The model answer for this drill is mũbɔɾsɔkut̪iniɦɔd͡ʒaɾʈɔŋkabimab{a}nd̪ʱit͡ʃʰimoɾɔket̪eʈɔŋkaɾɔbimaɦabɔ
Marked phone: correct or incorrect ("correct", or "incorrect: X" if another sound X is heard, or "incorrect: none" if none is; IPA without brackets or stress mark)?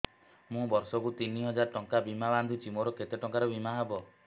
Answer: correct